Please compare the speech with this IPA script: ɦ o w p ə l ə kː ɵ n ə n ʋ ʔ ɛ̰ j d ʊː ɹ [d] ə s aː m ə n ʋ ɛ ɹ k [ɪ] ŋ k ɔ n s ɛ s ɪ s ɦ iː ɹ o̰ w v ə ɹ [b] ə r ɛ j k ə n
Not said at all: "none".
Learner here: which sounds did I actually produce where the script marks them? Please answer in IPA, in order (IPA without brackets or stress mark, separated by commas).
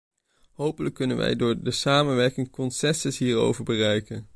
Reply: d, ɪ, b